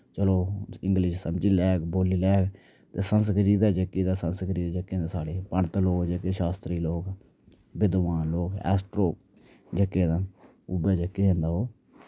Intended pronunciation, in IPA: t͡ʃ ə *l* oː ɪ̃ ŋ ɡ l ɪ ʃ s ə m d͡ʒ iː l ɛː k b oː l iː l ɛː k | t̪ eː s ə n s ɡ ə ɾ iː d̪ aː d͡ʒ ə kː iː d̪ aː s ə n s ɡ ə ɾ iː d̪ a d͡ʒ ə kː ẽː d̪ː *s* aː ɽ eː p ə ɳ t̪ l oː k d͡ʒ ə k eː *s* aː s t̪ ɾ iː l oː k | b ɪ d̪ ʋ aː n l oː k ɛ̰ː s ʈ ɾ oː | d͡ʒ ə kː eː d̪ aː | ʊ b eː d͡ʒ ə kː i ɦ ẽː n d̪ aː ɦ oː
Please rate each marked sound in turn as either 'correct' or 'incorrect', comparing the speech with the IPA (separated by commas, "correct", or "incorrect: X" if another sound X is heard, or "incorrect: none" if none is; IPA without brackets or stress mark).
correct, correct, incorrect: ʃ